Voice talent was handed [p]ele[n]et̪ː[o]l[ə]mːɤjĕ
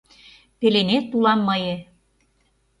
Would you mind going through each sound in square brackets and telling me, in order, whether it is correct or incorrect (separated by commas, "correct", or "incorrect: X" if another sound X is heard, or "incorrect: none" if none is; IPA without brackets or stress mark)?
correct, correct, incorrect: u, incorrect: ɑ